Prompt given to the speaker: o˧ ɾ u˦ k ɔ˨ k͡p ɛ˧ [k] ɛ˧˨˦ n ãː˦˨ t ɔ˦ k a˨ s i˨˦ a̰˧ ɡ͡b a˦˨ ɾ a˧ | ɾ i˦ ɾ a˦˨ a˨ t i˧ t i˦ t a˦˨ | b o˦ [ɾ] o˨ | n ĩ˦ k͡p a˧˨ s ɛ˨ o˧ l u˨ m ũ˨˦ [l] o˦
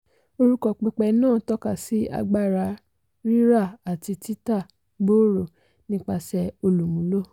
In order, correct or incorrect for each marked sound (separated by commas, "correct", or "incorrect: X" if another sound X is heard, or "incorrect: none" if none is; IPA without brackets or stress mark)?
incorrect: k͡p, correct, correct